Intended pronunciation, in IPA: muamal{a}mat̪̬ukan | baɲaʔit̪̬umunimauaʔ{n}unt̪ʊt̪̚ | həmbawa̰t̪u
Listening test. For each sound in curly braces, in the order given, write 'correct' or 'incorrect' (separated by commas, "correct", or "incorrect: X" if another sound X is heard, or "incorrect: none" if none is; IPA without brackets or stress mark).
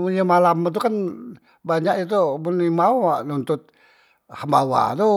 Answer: correct, correct